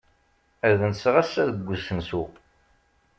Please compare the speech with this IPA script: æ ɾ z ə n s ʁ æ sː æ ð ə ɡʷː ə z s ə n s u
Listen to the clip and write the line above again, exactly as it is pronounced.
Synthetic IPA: æ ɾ ð ə n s ʁ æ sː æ ð ə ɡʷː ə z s ə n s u